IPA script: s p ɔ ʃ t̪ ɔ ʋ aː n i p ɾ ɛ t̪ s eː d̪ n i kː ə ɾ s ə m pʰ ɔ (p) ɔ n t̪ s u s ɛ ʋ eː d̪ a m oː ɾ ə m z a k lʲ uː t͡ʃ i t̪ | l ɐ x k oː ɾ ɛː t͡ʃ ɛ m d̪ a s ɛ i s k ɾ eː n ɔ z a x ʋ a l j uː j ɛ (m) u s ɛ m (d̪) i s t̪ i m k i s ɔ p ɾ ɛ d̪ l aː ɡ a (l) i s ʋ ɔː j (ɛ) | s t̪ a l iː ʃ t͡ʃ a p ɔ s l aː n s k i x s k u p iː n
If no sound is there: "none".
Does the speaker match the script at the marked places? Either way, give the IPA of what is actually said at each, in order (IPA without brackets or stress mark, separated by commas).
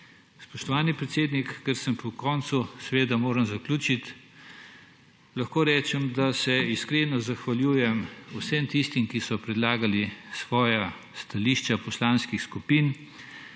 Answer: k, m, t̪, l, a